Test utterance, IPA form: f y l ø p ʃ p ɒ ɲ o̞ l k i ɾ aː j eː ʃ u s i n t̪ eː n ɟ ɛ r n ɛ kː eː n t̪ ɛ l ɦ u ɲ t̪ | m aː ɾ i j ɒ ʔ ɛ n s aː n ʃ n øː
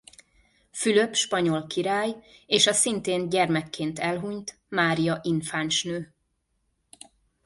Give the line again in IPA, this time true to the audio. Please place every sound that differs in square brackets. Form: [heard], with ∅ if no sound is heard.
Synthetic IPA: f y l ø p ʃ p ɒ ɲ o̞ l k i ɾ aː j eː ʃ [ɒ] s i n t̪ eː n ɟ ɛ r [m] ɛ kː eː n t̪ ɛ l ɦ u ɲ t̪ | m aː ɾ i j ɒ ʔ [i] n [f] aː n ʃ n øː